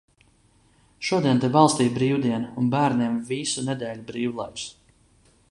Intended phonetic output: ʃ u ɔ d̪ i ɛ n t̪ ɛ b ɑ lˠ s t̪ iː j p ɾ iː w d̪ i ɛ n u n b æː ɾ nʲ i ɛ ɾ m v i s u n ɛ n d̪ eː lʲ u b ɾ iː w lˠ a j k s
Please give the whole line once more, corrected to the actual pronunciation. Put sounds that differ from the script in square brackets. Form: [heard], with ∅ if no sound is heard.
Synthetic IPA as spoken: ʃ u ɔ d̪ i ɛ n t̪ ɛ b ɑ lˠ s t̪ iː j [b] ɾ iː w d̪ i ɛ n u n b æː ɾ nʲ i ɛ [∅] m v i s u n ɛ [∅] d̪ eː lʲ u b ɾ iː w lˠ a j k s